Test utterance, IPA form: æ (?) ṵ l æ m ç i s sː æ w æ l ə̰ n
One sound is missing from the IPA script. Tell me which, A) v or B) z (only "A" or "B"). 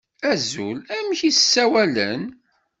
B